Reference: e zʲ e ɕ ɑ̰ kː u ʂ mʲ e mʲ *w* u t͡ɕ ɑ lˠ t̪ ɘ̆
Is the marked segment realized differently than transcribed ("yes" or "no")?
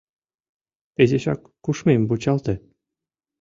yes